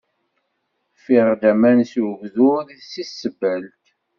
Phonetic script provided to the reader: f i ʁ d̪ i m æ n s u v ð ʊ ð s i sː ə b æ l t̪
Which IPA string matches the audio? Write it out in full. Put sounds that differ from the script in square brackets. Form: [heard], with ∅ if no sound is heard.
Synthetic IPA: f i ʁ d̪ [æ] m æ n s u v ð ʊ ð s i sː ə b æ l t̪